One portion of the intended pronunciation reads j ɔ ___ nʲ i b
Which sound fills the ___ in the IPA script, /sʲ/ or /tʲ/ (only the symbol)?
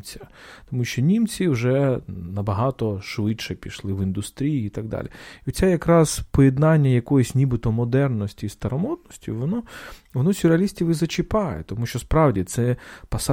sʲ